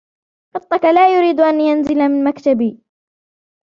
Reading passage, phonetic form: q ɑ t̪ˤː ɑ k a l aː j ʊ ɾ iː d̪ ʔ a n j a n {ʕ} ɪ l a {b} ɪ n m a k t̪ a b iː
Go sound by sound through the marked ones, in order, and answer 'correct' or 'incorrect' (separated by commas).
incorrect, incorrect